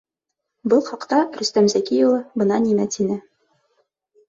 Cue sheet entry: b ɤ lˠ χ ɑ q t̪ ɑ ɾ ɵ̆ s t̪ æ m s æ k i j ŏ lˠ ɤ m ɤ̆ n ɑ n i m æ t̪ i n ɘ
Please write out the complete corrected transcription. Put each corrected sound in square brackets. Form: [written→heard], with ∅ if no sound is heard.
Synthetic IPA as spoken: b ɤ lˠ χ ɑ q t̪ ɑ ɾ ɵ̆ s t̪ æ m [s→z] æ k i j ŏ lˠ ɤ [m→b] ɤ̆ n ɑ n i m æ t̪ i n ɘ